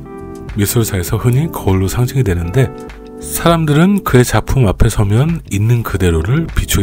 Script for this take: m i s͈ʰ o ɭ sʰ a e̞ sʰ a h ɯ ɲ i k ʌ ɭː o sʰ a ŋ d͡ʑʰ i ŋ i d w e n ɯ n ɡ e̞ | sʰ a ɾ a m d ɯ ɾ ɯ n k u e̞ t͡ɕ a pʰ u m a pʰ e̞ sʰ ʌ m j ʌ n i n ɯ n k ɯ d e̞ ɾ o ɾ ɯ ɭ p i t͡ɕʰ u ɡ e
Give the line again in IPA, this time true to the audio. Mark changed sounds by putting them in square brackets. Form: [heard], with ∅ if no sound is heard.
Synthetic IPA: m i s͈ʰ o ɭ sʰ a e̞ sʰ [ʌ] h ɯ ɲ i k ʌ ɭː o sʰ a ŋ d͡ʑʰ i ŋ i d w e n ɯ n [d] e̞ | sʰ a ɾ a m d ɯ ɾ ɯ n k [ɯ] e̞ t͡ɕ a pʰ u m a pʰ e̞ sʰ ʌ m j ʌ n i [nː] ɯ n k ɯ d e̞ ɾ o ɾ ɯ ɭ p i t͡ɕʰ u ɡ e